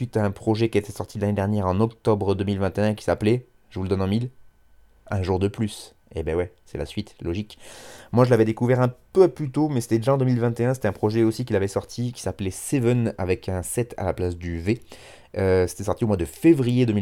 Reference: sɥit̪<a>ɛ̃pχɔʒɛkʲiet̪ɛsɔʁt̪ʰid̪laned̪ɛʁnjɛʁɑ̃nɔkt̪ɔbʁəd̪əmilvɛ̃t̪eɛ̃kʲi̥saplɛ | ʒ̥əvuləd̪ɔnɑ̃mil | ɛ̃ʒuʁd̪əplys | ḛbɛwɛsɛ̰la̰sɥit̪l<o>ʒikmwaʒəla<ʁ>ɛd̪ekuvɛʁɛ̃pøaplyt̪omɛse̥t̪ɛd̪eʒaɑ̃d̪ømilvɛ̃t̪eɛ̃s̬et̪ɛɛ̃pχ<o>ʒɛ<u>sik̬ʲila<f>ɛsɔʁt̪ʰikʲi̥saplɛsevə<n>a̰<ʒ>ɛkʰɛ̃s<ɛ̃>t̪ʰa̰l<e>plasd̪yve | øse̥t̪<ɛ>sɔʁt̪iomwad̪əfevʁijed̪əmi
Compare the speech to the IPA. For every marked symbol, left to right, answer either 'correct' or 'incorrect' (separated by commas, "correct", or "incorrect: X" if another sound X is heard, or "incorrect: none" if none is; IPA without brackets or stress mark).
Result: correct, incorrect: ɔ, incorrect: v, incorrect: ɔ, incorrect: o, incorrect: v, correct, incorrect: v, incorrect: ɛ, incorrect: a, correct